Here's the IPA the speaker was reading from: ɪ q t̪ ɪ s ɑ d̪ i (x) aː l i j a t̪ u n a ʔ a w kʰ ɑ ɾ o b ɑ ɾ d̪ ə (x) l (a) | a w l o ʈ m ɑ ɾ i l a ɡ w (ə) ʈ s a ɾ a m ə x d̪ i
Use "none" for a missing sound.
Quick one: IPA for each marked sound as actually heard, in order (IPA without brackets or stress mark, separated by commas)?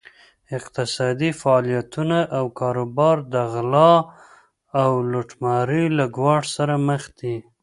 f, ɣ, ɑ, ɑ